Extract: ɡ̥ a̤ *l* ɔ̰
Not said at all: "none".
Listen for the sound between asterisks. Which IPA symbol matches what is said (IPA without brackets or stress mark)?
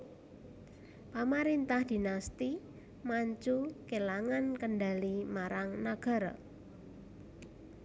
ɾ